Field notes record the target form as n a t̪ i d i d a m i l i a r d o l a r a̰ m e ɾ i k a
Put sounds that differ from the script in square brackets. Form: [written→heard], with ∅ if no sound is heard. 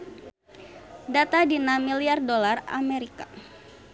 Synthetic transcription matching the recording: [n→d] a t̪ [i→a] d i [d→n] a m i l i a r d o l a r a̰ m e ɾ i k a